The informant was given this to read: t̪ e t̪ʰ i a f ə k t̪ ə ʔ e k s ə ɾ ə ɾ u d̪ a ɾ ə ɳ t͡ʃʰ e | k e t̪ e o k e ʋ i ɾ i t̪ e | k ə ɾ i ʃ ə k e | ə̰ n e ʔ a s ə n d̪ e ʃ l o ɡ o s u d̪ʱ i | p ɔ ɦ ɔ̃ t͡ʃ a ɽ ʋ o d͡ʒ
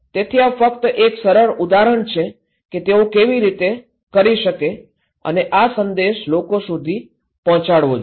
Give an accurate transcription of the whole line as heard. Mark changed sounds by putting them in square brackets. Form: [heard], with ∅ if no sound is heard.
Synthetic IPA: t̪ e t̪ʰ i a f ə k t̪ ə ʔ e k s ə ɾ ə ɾ u d̪ a ɾ ə ɳ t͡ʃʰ e | k e t̪ e o k e ʋ i ɾ i t̪ e | k ə ɾ i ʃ ə k e | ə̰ n e ʔ a s ə n d̪ e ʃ l o [k] o s u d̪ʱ i | p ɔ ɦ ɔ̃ t͡ʃ a ɽ ʋ o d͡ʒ